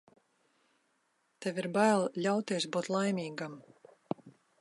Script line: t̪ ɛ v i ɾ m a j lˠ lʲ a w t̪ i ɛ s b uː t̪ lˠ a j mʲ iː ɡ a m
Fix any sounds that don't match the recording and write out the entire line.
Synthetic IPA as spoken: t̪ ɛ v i ɾ b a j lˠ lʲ a w t̪ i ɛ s b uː t̪ lˠ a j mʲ iː ɡ a m

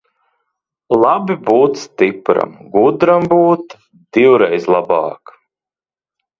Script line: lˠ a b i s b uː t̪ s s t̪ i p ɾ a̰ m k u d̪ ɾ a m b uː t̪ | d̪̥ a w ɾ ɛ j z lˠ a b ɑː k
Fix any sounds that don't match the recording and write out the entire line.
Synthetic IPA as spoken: lˠ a b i b uː t̪ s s t̪ i p ɾ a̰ m ɡ u d̪ ɾ a m b uː t̪ | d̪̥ i w ɾ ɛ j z lˠ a b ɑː k

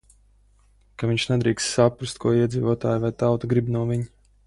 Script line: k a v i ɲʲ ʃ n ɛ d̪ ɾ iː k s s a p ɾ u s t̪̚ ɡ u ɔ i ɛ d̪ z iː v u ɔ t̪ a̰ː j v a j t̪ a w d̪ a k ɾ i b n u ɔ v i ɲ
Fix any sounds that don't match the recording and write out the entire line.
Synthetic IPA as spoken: k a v i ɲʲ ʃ n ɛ d̪ ɾ iː k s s a p ɾ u s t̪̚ k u ɔ i ɛ d̪ z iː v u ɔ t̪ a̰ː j v a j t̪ a w t̪ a ɡ ɾ i b n u ɔ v i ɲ

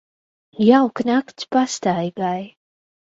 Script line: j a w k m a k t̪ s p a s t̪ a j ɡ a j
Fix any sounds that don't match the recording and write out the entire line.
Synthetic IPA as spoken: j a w k n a k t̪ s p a s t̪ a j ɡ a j

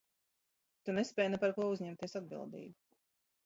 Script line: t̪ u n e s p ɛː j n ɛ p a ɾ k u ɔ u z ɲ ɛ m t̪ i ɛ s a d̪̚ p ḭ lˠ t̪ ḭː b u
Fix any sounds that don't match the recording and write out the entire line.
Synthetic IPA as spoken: t̪ u n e s p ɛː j n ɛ p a ɾ k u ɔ u z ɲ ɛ m t̪ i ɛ s a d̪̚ b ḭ lˠ d̪ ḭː b u

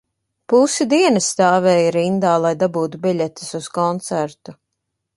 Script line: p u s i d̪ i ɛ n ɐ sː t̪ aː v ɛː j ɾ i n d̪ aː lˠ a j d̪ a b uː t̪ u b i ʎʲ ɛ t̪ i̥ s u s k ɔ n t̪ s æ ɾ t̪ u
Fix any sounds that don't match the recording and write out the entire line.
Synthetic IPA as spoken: p u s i d̪ i ɛ n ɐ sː t̪ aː v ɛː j ɾ i n d̪ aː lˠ a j d̪ a b uː t̪ u b i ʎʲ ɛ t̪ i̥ s u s k ɔ n t̪ s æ ɾ t̪ u

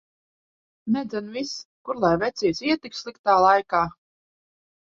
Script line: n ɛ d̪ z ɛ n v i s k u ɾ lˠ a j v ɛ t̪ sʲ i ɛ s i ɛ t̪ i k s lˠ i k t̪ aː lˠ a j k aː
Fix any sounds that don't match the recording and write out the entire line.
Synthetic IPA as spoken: n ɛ d̪ z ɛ n v i s k u ɾ lˠ a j v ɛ t̪ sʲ i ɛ s i ɛ t̪ i k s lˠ i k t̪ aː lˠ a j k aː

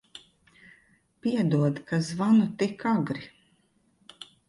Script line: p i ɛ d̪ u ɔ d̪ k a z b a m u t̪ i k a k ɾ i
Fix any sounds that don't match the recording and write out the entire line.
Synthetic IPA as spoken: p i ɛ d̪ u ɔ d̪ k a z v a n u t̪ i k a ɡ ɾ i

